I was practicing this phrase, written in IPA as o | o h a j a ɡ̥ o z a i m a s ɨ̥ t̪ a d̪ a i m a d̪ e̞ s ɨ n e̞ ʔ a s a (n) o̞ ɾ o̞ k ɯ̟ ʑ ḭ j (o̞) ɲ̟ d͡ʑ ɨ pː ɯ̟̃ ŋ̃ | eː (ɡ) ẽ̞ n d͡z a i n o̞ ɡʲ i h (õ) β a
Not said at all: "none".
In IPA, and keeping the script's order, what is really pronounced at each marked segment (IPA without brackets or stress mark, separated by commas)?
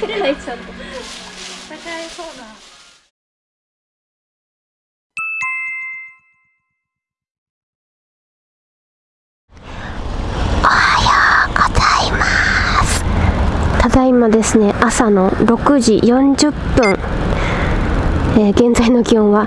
n, õ̞, ɡ, õ